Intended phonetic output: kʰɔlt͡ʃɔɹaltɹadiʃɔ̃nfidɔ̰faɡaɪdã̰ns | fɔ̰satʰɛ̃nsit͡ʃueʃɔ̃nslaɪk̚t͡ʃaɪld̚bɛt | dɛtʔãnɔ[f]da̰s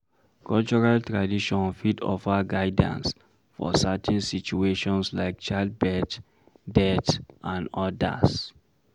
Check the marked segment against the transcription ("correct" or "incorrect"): incorrect